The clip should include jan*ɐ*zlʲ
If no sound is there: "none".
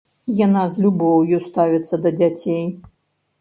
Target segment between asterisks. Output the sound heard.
a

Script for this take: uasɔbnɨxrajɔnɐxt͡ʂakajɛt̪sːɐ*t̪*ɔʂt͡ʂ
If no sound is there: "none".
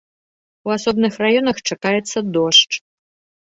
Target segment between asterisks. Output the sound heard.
d̪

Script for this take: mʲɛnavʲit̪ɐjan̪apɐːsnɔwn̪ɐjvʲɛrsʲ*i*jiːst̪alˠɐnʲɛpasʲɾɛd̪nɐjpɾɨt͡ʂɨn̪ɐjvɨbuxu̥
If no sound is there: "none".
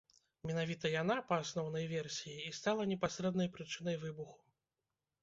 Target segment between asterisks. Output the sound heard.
i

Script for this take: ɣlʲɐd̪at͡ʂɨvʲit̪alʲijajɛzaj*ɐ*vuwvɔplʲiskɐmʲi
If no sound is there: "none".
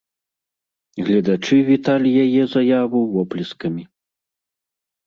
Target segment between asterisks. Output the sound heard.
a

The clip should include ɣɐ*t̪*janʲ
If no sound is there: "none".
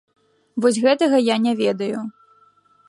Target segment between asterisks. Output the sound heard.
none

